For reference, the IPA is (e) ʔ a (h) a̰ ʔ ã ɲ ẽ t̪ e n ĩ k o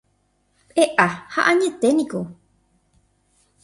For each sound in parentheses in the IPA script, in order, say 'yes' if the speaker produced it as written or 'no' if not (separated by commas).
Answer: yes, yes